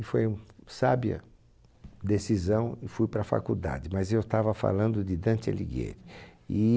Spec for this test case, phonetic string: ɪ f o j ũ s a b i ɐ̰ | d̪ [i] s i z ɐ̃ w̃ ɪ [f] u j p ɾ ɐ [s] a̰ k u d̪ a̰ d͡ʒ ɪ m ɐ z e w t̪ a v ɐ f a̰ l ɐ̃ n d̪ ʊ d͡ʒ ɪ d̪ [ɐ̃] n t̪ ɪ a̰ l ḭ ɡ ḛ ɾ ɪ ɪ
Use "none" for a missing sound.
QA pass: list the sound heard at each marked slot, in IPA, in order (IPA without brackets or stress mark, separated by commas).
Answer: e, f, f, ɐ̃